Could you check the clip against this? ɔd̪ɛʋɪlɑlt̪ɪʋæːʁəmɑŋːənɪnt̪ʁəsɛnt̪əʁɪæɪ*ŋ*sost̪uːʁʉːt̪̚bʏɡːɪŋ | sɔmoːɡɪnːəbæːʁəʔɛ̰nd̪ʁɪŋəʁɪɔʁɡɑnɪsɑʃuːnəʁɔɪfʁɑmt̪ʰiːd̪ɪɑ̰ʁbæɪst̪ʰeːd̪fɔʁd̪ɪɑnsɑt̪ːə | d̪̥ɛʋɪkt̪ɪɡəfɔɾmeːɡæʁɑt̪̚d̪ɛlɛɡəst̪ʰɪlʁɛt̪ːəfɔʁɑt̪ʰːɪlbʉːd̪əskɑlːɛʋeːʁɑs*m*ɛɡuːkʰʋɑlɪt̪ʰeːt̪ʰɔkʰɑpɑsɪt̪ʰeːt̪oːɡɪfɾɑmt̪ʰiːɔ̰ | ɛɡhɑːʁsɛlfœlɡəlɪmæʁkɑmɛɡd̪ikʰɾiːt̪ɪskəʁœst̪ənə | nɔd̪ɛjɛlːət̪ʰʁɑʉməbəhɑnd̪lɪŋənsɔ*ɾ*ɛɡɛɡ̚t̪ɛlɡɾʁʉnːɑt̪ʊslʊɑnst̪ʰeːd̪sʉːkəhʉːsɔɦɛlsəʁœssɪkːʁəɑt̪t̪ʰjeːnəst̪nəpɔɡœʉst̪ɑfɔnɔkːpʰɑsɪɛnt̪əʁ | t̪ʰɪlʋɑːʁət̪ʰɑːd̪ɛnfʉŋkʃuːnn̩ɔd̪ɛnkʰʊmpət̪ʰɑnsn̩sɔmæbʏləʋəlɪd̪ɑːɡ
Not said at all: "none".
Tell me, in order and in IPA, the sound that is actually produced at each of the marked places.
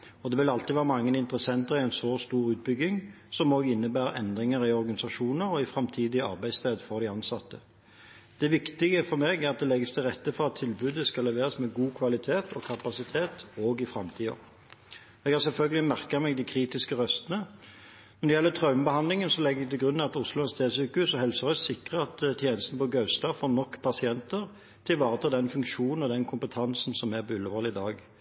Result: n, m, l

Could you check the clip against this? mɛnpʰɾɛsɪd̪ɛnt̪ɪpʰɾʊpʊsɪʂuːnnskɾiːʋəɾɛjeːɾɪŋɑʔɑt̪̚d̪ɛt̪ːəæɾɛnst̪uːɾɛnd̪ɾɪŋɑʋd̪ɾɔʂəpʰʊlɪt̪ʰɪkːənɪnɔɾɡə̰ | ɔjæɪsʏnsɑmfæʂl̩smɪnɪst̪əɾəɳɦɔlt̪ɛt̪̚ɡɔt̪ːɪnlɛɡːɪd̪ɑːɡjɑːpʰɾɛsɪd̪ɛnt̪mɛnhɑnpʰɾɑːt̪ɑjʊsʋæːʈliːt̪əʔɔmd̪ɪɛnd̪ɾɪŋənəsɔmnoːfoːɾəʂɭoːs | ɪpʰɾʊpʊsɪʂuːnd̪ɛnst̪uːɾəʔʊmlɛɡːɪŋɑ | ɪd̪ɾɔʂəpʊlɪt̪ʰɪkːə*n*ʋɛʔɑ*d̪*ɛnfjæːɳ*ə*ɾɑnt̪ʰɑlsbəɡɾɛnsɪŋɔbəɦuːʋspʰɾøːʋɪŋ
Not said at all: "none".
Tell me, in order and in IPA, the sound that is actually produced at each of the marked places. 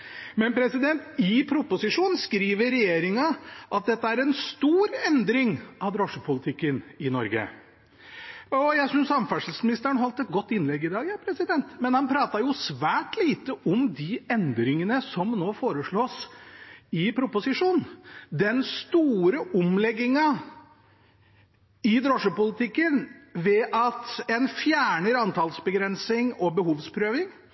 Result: n, t̪, ə

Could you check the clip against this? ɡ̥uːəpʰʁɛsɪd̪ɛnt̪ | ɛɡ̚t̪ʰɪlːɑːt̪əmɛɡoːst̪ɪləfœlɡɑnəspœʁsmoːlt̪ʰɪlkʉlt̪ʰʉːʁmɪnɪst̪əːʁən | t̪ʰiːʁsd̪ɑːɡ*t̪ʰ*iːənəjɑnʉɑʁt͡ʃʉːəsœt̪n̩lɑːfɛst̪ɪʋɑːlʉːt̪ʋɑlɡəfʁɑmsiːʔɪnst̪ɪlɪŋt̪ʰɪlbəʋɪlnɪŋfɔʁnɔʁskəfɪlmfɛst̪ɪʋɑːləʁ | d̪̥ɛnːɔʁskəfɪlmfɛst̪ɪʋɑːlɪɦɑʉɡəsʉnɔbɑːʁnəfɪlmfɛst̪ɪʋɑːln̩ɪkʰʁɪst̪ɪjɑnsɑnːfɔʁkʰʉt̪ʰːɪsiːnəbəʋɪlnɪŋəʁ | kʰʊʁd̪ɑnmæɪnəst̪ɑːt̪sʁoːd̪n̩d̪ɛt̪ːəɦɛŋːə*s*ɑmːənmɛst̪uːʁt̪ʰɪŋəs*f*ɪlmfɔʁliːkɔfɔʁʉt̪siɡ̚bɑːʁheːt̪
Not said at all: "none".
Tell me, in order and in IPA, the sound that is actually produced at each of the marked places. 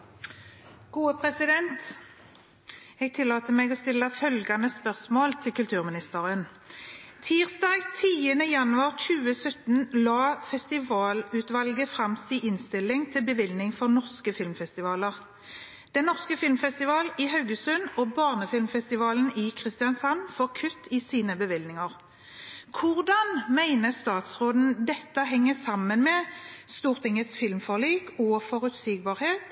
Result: t̪ʰ, s, f

